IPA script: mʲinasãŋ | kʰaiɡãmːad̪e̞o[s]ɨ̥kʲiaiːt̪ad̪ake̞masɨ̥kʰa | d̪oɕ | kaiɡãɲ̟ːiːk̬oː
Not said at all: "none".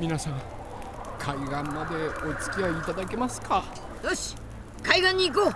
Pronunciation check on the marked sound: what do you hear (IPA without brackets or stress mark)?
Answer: t͡s